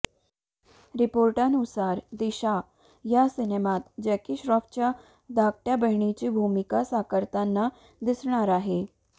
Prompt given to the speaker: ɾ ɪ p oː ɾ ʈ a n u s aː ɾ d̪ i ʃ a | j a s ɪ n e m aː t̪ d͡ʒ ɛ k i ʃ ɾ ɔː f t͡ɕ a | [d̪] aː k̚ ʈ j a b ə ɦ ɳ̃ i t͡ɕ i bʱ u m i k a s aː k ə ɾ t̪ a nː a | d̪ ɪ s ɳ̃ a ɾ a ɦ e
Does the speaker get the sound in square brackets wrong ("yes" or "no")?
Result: no